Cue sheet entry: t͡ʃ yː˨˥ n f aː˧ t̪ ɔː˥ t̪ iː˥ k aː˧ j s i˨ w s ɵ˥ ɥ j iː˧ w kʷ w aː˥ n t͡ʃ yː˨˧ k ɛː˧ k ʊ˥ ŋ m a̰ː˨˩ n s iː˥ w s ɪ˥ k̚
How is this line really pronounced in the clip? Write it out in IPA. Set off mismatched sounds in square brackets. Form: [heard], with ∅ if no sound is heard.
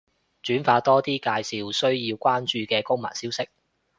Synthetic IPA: t͡ʃ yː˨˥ n f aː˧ t̪ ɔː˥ t̪ iː˥ k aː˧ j s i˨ w s ɵ˥ ɥ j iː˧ w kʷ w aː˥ n t͡ʃ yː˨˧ k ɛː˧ k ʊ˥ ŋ m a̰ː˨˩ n s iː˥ w s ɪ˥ k̚